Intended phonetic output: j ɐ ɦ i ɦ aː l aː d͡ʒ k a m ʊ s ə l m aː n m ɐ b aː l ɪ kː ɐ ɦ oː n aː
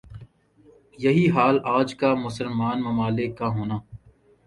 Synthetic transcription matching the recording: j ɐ ɦ i ɦ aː l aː d͡ʒ k a m ʊ s ə l m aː n m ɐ m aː l ɪ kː a ɦ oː n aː